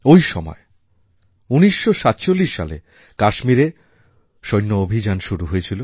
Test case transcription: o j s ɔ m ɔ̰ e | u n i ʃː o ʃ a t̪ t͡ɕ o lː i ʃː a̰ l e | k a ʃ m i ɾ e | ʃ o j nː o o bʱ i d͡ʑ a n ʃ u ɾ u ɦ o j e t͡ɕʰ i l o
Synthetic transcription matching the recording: o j ʃ ɔ m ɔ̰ e | u n i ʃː o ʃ a t̪ t͡ɕ o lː i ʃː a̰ l e | k a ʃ m i ɾ e | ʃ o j nː o o bʱ i d͡ʑ a n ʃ u ɾ u ɦ o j e t͡ɕʰ i l o